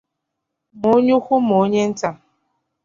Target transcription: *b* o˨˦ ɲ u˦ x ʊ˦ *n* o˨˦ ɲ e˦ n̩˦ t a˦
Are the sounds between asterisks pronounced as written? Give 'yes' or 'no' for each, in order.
no, no

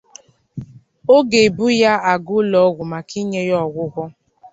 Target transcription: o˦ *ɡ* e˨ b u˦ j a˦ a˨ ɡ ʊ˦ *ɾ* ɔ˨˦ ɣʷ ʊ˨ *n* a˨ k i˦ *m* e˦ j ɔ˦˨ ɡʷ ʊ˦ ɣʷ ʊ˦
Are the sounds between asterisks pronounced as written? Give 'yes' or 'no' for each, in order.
yes, no, no, no

